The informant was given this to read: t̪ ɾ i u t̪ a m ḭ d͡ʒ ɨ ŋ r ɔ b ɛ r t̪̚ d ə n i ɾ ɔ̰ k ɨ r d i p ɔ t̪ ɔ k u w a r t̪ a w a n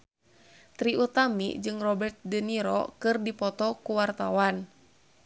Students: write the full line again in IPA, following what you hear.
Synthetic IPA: t̪ ɾ i u t̪ a m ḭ d͡ʒ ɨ ŋ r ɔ b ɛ r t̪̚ d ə n i ɾ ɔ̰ k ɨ r d i p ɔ t̪ ɔ k u w a r t̪ a w a n